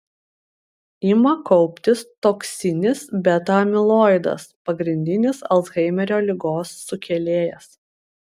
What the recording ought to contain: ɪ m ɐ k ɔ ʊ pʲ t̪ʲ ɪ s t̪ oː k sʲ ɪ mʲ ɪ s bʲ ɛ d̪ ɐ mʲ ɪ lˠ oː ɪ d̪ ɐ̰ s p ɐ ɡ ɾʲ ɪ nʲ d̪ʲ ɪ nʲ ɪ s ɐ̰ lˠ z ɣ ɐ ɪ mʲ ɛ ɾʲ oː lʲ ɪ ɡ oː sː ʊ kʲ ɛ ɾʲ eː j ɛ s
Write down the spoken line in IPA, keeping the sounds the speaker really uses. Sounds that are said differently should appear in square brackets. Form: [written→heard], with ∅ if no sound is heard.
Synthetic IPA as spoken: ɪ m ɐ k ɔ ʊ pʲ t̪ʲ ɪ s t̪ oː k sʲ ɪ [mʲ→nʲ] ɪ s bʲ ɛ [d̪→t̪] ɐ mʲ ɪ lˠ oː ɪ d̪ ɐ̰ s p ɐ ɡ ɾʲ ɪ nʲ d̪ʲ ɪ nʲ ɪ s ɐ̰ lˠ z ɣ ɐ ɪ mʲ ɛ ɾʲ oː lʲ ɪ ɡ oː sː ʊ kʲ ɛ [ɾʲ→lʲ] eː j ɛ s

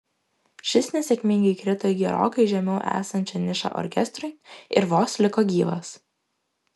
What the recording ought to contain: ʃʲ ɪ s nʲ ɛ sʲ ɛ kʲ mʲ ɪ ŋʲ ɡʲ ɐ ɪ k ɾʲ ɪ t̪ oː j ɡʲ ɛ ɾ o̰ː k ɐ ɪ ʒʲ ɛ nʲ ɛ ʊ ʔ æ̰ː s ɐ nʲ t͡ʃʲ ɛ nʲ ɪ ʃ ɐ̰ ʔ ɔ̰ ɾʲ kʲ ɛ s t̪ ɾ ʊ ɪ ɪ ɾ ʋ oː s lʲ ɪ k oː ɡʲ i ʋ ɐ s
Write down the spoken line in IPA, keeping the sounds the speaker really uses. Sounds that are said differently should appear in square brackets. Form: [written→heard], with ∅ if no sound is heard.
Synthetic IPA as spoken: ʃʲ ɪ s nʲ ɛ sʲ ɛ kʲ mʲ ɪ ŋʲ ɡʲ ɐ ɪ k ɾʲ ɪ t̪ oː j ɡʲ ɛ ɾ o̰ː k ɐ ɪ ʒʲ ɛ [nʲ→mʲ] ɛ ʊ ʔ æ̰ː s ɐ nʲ t͡ʃʲ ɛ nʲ ɪ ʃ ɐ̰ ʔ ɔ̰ ɾʲ kʲ ɛ s t̪ ɾ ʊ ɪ ɪ ɾ ʋ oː s lʲ ɪ k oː ɡʲ [i→iː] ʋ ɐ s

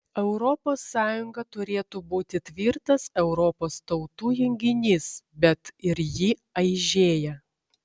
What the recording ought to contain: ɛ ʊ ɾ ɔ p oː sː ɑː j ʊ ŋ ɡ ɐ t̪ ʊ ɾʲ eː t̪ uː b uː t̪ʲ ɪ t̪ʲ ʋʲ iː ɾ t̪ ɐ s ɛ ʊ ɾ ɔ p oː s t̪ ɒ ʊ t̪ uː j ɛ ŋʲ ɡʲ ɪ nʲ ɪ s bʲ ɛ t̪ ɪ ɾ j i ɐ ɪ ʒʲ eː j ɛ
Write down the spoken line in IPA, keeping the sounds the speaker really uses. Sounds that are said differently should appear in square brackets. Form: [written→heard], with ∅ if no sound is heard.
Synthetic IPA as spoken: ɛ ʊ ɾ ɔ p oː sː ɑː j ʊ ŋ ɡ ɐ t̪ ʊ ɾʲ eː t̪ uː b uː t̪ʲ ɪ t̪ʲ ʋʲ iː ɾ t̪ ɐ s ɛ ʊ ɾ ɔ p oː s t̪ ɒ ʊ t̪ uː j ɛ ŋʲ ɡʲ ɪ nʲ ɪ s bʲ ɛ t̪ ɪ ɾ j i ɐ ɪ ʒʲ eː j ɛ

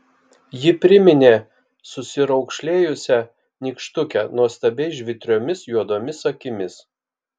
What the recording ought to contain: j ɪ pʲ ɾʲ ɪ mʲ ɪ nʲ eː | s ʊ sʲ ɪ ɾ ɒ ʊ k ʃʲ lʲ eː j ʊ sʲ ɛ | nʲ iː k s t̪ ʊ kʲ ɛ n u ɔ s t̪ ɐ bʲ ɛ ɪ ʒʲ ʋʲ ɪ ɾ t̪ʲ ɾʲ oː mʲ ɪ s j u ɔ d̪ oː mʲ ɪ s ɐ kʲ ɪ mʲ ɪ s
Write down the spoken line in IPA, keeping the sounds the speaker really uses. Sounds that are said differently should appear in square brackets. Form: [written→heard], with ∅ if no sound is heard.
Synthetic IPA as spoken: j ɪ pʲ ɾʲ ɪ mʲ ɪ nʲ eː | s ʊ sʲ ɪ ɾ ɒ ʊ k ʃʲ lʲ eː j ʊ sʲ ɛ | nʲ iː k [s→ʃ] t̪ ʊ kʲ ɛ n u ɔ s t̪ ɐ bʲ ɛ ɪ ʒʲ ʋʲ ɪ [ɾ→∅] t̪ʲ ɾʲ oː mʲ ɪ s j u ɔ d̪ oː mʲ ɪ s ɐ kʲ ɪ mʲ ɪ s

